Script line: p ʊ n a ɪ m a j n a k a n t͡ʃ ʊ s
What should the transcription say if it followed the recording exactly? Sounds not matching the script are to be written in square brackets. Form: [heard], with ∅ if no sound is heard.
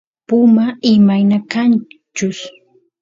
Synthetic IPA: p ʊ [m] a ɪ m a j n a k a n t͡ʃ ʊ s